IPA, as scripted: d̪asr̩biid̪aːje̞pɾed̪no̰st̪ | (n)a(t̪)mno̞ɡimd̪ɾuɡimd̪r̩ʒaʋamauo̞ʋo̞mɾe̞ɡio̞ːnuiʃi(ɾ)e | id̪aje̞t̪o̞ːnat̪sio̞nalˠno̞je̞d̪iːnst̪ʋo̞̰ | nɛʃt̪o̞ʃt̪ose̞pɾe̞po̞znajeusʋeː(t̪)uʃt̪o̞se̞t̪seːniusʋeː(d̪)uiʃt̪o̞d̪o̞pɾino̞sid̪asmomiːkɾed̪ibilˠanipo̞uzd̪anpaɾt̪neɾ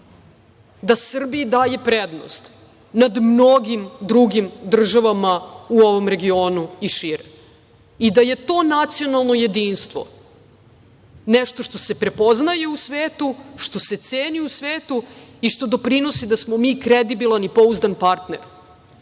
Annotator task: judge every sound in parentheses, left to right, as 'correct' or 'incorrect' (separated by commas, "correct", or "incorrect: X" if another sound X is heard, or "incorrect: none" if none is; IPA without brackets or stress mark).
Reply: correct, incorrect: d̪, correct, correct, incorrect: t̪